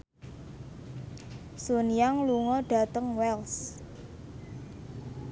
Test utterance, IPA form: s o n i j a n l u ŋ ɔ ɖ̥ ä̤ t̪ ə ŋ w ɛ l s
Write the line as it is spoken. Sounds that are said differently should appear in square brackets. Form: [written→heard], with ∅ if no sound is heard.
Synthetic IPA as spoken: s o n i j a [n→ŋ] l u ŋ ɔ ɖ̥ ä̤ t̪ ə ŋ w ɛ l s